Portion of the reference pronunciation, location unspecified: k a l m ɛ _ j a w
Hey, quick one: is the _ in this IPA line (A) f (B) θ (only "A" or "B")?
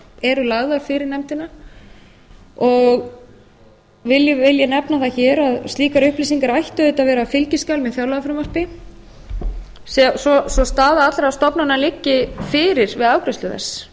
B